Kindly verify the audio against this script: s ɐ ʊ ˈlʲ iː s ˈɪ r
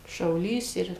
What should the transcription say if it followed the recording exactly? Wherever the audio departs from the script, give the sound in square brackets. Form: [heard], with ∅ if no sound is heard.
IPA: [ʃ] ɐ ʊ ˈlʲ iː s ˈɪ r